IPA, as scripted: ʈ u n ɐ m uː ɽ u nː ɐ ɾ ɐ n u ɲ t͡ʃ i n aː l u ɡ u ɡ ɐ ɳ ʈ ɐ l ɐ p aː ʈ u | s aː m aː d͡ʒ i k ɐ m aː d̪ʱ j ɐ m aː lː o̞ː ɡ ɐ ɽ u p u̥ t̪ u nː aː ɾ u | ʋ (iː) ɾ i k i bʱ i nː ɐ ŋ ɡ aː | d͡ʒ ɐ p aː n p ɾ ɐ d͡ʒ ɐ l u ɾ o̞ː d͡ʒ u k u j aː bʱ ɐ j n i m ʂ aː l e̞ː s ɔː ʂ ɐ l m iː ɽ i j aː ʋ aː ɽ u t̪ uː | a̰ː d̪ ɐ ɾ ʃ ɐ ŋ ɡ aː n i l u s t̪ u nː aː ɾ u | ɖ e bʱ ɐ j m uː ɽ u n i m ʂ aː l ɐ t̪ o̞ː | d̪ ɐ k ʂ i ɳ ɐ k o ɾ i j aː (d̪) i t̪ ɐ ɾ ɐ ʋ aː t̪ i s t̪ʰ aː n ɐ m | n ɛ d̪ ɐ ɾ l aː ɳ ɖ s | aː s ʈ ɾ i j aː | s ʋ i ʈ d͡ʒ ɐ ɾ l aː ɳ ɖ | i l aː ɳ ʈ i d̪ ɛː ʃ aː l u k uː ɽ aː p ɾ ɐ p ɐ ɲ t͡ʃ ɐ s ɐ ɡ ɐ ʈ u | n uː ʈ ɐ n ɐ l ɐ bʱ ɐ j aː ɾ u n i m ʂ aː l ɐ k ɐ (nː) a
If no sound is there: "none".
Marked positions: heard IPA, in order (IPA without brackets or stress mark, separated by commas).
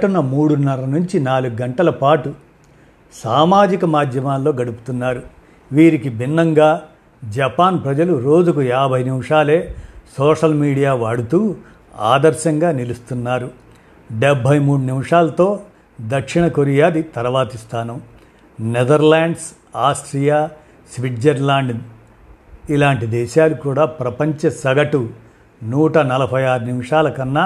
iː, d̪, nː